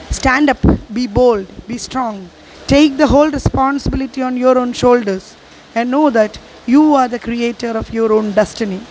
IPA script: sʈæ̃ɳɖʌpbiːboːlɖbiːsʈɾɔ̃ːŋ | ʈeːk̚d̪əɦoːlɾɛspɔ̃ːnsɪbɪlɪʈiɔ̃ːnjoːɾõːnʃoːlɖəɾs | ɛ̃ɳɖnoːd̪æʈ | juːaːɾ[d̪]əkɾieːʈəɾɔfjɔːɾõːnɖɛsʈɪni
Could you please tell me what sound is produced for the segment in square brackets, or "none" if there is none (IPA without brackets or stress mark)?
d̪